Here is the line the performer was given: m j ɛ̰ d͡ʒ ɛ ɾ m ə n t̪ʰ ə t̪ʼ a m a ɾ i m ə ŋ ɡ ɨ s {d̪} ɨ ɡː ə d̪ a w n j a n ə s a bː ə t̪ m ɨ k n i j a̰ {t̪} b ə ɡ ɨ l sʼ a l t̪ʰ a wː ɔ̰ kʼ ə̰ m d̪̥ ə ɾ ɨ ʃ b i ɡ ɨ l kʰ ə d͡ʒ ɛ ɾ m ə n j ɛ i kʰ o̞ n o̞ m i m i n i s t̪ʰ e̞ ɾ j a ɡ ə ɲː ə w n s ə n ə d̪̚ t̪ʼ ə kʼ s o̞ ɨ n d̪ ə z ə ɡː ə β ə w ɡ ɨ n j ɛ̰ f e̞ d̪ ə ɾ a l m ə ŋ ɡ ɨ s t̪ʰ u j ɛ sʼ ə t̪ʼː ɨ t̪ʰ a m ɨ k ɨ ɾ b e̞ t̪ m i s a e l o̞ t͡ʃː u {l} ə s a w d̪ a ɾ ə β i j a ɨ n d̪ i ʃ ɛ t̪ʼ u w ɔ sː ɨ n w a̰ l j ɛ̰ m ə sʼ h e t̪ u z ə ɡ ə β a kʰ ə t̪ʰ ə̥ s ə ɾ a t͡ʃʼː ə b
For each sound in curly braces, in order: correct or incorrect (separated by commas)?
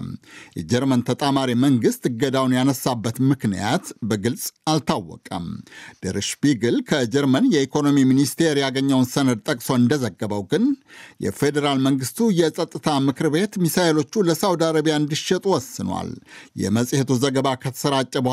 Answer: incorrect, correct, correct